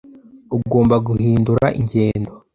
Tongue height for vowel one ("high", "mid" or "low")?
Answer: high